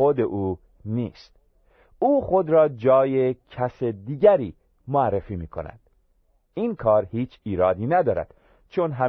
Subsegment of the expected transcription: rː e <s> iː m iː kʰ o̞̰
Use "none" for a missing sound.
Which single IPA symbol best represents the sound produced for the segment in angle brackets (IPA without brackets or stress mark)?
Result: f